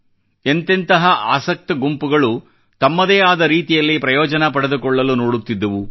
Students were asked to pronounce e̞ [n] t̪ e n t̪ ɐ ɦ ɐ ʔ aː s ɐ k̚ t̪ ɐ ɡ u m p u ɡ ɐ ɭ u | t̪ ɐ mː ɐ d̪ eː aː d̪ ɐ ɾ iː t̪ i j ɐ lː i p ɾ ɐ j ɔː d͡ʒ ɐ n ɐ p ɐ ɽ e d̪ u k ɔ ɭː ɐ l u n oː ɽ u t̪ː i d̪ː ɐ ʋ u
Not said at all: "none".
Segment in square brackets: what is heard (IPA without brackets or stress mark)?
n